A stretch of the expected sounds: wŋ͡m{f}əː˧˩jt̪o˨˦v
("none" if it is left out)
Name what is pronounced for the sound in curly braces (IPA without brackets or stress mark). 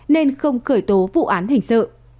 x